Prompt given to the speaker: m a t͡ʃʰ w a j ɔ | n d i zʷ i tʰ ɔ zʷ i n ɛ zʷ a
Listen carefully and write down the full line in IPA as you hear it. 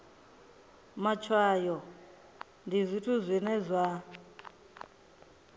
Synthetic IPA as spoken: m a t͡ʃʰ w a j ɔ | n d i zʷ i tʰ u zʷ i n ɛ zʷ a